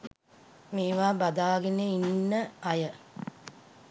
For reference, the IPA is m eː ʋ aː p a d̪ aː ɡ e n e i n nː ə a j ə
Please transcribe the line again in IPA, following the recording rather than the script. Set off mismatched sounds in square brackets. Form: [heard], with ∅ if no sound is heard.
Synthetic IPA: m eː ʋ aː [b] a d̪ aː ɡ e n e i n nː ə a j ə